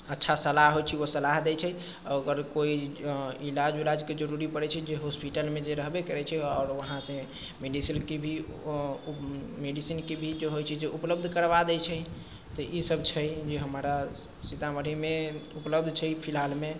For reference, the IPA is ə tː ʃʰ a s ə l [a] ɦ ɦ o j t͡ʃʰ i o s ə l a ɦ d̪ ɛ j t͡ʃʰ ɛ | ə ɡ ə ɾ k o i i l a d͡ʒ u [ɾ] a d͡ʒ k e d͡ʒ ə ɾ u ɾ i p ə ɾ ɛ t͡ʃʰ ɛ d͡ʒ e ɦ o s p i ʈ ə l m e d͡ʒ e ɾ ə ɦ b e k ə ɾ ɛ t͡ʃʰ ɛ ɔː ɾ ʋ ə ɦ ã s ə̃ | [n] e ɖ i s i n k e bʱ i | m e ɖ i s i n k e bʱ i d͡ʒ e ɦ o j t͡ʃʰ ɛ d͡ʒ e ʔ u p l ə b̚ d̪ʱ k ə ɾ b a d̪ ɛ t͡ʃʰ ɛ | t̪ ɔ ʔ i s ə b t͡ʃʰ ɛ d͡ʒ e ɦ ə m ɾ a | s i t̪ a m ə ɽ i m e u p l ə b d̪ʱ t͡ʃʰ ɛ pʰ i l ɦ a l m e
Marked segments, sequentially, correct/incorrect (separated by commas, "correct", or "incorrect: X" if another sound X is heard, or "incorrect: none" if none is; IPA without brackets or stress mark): correct, incorrect: l, incorrect: m